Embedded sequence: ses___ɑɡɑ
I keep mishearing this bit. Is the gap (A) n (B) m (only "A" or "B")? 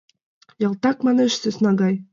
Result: A